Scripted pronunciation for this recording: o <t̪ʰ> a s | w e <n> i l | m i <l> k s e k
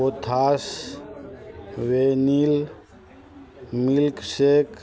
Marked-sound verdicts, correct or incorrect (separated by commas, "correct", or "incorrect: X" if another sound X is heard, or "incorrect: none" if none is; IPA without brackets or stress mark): correct, correct, correct